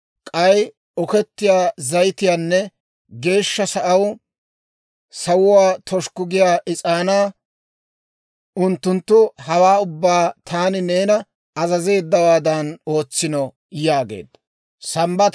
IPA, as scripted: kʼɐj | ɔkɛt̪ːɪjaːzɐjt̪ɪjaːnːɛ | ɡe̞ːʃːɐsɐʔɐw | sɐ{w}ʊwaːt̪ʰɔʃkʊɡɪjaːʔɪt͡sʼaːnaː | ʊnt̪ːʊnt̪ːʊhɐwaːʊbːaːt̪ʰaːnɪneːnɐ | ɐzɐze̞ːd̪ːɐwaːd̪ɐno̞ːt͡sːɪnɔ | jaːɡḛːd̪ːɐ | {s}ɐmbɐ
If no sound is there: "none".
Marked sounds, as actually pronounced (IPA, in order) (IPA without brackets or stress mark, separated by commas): w, s